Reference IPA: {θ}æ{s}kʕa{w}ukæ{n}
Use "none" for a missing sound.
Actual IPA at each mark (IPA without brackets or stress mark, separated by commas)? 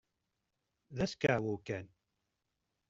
ð, s, w, n